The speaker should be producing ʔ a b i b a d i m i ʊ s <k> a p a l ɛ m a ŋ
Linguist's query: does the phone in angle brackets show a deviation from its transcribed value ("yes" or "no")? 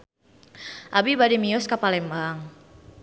no